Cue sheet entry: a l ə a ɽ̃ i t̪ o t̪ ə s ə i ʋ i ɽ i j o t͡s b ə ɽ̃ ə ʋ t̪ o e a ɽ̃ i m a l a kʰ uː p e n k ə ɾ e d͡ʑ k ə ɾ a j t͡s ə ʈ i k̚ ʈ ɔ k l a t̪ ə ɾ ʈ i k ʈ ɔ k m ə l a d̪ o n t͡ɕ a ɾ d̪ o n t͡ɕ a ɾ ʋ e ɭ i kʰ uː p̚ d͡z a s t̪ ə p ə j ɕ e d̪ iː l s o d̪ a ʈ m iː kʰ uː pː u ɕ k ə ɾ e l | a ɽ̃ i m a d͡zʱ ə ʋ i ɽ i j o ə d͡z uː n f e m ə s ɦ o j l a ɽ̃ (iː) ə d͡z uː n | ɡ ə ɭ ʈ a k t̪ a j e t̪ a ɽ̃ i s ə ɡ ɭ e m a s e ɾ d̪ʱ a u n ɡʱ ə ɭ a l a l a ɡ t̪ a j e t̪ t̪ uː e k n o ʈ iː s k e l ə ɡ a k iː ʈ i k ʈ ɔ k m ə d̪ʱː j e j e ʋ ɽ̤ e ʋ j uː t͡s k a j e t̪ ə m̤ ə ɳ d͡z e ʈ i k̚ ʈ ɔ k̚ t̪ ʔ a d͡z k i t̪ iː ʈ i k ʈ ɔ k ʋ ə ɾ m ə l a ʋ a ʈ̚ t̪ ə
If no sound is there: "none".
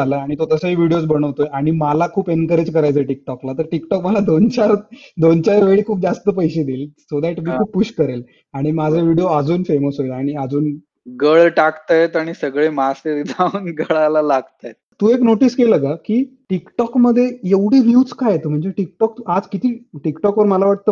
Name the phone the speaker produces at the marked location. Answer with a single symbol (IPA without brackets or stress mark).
i